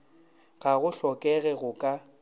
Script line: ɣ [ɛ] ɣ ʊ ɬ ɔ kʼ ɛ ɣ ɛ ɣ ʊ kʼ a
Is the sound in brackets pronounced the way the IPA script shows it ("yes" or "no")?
no